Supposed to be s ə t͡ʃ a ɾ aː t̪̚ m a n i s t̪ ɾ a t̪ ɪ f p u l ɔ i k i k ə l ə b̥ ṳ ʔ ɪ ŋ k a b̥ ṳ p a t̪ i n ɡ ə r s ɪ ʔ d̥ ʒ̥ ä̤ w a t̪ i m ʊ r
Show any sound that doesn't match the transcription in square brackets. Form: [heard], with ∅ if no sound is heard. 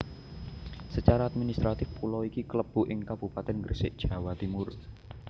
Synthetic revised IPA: s ə t͡ʃ a ɾ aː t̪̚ m [i] n i s t̪ ɾ a t̪ ɪ f p u l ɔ i k i k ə l ə b̥ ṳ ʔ ɪ ŋ k a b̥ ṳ p a t̪ [ɛ] n ɡ ə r s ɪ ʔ d̥ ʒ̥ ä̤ w a t̪ i m ʊ r